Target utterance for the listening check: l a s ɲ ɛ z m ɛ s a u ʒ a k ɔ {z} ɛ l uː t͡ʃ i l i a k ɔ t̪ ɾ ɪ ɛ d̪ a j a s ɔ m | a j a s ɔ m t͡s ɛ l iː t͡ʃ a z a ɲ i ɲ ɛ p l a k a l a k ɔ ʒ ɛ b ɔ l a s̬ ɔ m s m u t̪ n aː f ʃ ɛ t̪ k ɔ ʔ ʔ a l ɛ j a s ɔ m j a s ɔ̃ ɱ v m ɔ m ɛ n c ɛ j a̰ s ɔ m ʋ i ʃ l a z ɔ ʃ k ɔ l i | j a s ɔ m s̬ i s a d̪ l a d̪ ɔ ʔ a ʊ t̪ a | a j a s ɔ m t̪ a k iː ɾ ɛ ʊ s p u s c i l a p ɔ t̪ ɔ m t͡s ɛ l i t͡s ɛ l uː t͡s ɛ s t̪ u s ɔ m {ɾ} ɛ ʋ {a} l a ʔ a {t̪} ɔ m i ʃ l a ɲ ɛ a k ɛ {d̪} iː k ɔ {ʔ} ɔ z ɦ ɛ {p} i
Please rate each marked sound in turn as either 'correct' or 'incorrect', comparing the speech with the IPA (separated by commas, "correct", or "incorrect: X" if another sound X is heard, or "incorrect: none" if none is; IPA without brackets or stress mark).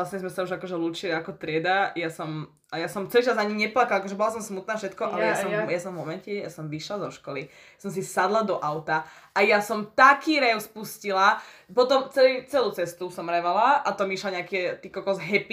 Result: incorrect: ʒ, correct, correct, correct, incorrect: t̪, incorrect: k, correct